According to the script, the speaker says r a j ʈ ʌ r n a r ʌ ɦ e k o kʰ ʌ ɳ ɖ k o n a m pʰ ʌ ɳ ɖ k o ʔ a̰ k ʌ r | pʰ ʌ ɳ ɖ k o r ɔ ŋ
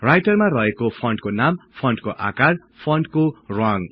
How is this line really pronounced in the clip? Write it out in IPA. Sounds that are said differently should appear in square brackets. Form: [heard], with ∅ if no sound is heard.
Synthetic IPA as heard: r a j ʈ ʌ r [m] a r ʌ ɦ e k o [pʰ] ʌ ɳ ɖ k o n a m pʰ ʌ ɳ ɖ k o ʔ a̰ k [a] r | pʰ ʌ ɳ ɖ k o r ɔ ŋ